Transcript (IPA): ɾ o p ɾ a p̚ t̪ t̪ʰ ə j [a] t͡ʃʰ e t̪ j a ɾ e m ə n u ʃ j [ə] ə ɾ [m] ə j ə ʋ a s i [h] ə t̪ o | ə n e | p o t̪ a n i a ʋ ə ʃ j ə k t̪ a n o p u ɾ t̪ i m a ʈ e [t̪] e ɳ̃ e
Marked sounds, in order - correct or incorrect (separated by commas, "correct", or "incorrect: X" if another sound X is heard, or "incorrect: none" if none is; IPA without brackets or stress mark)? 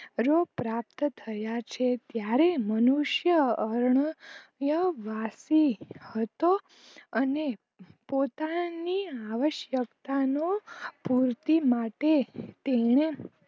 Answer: correct, correct, incorrect: ɳ, correct, correct